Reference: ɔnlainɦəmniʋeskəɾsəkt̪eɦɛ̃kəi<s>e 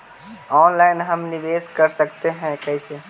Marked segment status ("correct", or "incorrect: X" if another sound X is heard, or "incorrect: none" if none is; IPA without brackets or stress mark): correct